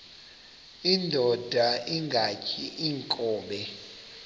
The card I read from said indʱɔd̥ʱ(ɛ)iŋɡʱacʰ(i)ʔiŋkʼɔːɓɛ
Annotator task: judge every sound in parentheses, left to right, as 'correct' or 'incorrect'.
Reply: incorrect: a, correct

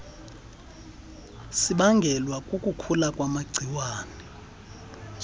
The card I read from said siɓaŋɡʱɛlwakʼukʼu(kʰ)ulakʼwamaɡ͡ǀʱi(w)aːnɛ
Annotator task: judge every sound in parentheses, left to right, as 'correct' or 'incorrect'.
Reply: correct, correct

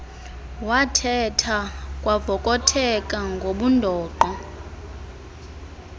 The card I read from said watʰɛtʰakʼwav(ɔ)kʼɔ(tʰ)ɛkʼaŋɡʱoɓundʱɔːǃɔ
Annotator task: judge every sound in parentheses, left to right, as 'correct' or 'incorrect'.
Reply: correct, correct

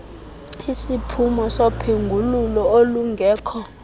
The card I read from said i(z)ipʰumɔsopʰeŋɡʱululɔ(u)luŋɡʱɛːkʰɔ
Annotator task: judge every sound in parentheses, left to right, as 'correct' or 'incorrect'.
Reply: incorrect: s, incorrect: o

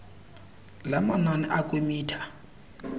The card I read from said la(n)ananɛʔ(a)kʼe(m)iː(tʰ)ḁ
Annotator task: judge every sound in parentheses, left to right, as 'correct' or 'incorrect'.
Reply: incorrect: m, correct, correct, correct

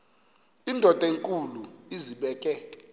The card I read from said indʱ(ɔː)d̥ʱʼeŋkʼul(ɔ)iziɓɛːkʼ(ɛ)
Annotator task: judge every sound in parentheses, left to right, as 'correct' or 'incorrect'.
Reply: incorrect: ɔ, incorrect: u, correct

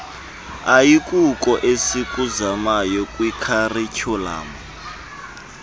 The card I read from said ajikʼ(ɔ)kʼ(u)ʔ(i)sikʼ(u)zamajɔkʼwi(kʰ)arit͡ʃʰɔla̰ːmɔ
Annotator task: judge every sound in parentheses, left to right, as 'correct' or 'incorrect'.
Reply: incorrect: u, incorrect: ɔ, incorrect: e, correct, correct

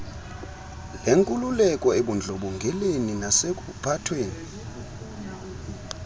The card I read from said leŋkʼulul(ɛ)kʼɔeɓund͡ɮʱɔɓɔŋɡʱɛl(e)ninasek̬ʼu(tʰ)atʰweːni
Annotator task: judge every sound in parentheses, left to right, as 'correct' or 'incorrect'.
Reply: correct, correct, incorrect: pʰ

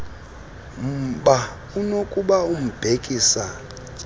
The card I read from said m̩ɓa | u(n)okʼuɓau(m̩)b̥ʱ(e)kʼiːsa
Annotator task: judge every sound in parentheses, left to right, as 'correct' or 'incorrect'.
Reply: correct, correct, correct

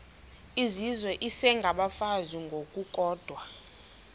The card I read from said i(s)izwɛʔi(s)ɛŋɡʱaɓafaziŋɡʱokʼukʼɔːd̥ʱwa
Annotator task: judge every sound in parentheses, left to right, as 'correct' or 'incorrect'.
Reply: incorrect: z, correct

